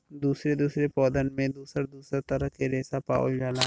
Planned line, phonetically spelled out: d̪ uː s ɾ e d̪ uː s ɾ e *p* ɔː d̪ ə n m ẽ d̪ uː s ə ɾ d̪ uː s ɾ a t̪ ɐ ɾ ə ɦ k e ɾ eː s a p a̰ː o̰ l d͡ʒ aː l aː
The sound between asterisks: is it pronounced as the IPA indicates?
yes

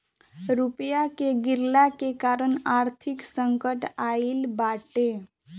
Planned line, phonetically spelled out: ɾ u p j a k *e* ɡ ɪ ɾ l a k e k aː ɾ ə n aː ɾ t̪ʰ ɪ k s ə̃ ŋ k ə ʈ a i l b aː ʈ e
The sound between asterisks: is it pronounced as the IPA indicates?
yes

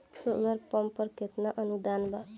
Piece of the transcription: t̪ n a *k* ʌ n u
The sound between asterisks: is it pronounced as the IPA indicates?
no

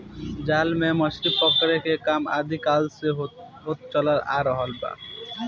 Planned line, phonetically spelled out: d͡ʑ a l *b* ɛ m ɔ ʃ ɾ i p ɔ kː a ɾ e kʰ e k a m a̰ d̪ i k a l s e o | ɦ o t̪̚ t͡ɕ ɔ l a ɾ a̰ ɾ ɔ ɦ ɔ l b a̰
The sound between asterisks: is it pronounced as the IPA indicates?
no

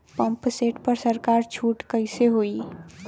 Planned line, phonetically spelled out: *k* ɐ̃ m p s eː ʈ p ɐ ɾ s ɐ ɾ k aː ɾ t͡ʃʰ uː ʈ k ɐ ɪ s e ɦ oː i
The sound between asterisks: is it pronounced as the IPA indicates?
no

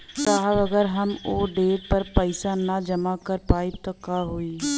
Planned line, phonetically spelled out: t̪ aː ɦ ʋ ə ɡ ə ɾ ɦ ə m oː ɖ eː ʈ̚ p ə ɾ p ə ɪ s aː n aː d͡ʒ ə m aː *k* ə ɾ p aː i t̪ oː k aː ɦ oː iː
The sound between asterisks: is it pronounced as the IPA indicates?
yes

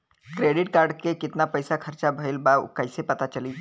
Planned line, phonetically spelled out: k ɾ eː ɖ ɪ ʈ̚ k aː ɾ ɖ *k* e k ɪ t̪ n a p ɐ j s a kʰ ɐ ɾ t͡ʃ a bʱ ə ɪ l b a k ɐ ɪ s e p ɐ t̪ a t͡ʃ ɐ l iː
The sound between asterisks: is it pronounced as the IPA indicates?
yes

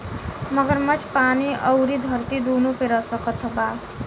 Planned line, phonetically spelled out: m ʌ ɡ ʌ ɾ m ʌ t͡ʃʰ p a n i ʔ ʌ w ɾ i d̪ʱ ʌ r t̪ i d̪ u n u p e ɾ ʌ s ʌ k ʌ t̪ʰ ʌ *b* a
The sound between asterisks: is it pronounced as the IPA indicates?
yes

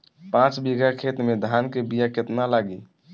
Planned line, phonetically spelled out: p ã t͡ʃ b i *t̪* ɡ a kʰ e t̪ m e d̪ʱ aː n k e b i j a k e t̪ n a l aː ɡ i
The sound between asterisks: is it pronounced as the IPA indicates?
no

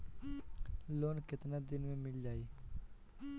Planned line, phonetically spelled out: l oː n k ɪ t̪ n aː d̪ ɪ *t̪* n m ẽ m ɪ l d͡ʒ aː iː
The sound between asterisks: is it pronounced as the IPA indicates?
no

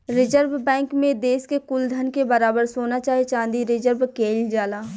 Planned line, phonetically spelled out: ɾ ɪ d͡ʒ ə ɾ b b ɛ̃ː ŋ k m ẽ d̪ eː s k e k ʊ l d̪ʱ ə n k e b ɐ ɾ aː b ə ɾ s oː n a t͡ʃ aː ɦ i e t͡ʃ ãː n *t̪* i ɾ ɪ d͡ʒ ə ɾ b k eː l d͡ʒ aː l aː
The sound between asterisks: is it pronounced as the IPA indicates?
no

